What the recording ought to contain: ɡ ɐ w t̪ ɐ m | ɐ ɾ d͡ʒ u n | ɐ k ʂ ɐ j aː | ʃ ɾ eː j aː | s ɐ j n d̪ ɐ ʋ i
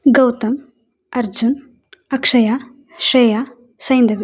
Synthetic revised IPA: ɡ ɐ w t̪ ɐ m | ɐ ɾ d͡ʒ u n | ɐ k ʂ ɐ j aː | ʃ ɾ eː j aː | s ɐ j n d̪ ɐ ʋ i